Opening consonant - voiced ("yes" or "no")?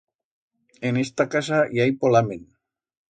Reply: yes